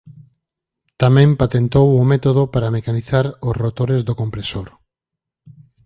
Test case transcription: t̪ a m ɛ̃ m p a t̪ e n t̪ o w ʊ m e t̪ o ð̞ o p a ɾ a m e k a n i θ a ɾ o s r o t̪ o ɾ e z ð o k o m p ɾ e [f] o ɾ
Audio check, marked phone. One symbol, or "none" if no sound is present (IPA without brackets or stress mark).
s